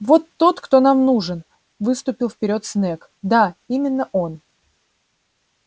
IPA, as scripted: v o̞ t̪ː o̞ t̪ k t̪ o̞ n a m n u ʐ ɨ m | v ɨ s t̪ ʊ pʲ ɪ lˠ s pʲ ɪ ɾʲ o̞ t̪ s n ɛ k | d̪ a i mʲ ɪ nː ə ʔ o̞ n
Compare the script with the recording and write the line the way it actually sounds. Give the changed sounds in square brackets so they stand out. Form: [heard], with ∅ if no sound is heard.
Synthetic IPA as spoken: v o̞ t̪ː o̞ t̪ k t̪ o̞ n a m n u ʐ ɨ [n] | v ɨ s t̪ ʊ pʲ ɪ lˠ [f] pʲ ɪ ɾʲ o̞ t̪ s n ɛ k | d̪ a i mʲ ɪ nː ə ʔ o̞ n